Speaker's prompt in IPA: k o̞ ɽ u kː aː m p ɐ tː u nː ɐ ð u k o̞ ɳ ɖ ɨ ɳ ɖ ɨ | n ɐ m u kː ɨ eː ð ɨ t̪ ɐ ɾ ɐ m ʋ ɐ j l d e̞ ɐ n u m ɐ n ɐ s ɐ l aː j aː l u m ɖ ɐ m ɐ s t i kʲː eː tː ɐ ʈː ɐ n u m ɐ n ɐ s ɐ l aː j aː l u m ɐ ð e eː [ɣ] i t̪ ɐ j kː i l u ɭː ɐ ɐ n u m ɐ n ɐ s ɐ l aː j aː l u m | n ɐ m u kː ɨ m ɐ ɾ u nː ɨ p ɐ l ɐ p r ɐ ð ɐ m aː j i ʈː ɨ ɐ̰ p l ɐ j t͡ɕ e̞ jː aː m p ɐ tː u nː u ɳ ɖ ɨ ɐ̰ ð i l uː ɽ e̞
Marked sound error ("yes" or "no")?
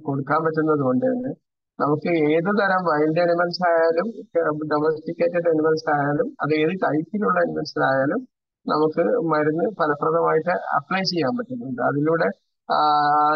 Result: yes